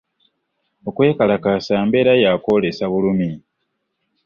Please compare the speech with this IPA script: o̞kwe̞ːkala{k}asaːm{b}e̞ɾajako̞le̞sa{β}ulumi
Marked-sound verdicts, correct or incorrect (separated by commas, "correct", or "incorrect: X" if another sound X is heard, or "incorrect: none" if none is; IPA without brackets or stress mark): correct, correct, correct